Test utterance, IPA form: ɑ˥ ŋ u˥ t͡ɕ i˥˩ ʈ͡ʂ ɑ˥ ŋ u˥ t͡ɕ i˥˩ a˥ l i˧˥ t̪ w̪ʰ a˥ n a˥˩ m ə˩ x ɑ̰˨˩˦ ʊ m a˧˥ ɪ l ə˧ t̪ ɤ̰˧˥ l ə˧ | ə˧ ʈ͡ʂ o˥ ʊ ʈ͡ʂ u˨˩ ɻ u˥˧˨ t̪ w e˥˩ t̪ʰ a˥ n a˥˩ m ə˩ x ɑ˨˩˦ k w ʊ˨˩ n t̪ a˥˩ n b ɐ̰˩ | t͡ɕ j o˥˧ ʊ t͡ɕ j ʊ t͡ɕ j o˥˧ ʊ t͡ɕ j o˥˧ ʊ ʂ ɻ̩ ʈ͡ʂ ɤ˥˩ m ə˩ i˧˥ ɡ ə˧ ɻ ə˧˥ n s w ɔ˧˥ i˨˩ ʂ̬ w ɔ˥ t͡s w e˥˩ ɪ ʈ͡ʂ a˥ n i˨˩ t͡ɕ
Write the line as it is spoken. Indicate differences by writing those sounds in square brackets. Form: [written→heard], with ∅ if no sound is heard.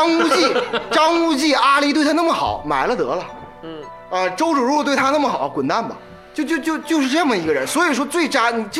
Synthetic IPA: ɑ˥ ŋ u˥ t͡ɕ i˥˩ ʈ͡ʂ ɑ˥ ŋ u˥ t͡ɕ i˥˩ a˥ l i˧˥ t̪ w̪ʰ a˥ n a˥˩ m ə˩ x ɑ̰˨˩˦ ʊ m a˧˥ ɪ l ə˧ t̪ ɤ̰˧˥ l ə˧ | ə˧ ʈ͡ʂ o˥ ʊ ʈ͡ʂ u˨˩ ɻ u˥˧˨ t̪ w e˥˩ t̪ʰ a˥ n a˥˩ m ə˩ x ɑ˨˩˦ k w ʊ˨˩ n t̪ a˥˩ n b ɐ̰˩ | t͡ɕ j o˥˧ ʊ t͡ɕ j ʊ t͡ɕ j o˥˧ ʊ t͡ɕ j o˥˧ ʊ ʂ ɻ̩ ʈ͡ʂ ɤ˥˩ m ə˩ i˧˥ ɡ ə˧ ɻ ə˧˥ n s w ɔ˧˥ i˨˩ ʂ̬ w ɔ˥ t͡s w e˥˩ ɪ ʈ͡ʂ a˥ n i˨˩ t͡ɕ